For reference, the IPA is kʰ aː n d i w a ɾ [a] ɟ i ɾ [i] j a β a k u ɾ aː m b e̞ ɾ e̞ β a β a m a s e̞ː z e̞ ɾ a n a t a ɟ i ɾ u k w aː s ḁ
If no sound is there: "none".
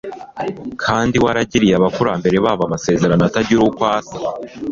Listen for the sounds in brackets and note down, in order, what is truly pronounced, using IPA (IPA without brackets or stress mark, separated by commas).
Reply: a, i